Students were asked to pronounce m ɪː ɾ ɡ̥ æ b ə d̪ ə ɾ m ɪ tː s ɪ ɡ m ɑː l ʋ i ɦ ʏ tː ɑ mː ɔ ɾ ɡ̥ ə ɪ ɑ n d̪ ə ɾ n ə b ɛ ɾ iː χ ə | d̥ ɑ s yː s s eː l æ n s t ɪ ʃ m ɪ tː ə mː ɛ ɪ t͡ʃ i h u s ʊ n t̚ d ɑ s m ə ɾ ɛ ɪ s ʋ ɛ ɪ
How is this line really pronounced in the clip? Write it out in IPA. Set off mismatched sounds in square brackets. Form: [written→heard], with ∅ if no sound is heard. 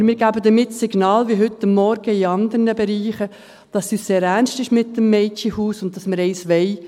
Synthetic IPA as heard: m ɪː ɾ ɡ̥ æ b ə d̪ ə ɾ m ɪ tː s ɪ ɡ [m→n] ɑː l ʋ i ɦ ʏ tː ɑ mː ɔ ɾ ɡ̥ ə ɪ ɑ n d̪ ə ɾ n ə b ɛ ɾ iː χ ə | d̥ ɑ s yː s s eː [l→ɾ] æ n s t ɪ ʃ m ɪ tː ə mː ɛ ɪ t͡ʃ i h [u→uː] s ʊ n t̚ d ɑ s m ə ɾ ɛ ɪ s ʋ ɛ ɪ